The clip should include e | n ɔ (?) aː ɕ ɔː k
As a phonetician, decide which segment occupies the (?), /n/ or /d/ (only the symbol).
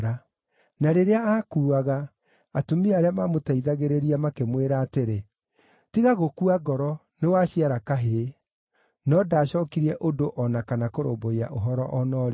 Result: d